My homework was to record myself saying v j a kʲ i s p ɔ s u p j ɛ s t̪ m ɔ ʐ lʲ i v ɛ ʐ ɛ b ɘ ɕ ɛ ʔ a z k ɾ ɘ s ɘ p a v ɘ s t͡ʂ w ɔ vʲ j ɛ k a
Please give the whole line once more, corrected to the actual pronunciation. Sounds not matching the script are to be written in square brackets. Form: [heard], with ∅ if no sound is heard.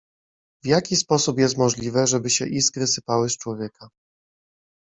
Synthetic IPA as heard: v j a kʲ i s p ɔ s u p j ɛ s t̪ m ɔ ʐ lʲ i v ɛ ʐ ɛ b ɘ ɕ ɛ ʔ [i] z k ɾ ɘ s ɘ p a [w] ɘ s t͡ʂ w ɔ vʲ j ɛ k a